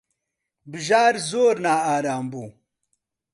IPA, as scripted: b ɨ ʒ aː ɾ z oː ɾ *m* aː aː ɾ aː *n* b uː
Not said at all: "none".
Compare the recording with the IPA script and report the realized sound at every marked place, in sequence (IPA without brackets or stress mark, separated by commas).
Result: n, m